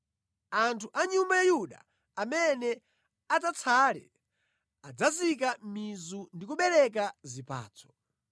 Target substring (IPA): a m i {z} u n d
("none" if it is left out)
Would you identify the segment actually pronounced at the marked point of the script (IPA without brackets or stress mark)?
z